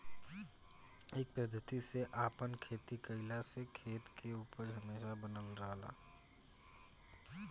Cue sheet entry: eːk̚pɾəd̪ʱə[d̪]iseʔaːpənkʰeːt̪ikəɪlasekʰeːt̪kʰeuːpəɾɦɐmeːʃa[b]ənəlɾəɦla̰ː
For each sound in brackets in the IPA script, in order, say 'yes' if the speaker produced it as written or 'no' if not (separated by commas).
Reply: no, yes